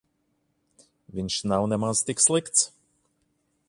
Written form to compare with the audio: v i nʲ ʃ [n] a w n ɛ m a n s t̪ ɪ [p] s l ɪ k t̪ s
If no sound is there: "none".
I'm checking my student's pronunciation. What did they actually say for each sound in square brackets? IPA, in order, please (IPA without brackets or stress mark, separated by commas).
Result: n, k